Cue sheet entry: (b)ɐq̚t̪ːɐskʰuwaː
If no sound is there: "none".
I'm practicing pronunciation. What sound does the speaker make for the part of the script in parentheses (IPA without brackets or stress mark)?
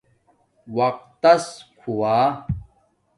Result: w